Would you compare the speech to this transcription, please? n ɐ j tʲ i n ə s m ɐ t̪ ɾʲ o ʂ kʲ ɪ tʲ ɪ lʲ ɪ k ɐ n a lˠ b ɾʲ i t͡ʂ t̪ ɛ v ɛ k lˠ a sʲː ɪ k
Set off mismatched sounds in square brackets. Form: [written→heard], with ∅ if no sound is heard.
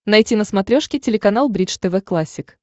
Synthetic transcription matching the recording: n ɐ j tʲ i n ə s m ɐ t̪ ɾʲ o ʂ kʲ ɪ tʲ ɪ lʲ ɪ k ɐ n a lˠ b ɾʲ i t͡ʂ t̪ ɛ v ɛ k lˠ a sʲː ɪ k